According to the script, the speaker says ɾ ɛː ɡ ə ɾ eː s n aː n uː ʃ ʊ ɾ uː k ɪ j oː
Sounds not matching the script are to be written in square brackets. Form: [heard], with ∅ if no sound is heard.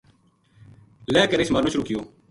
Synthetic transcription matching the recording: [l] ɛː [k] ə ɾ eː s [m] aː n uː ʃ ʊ ɾ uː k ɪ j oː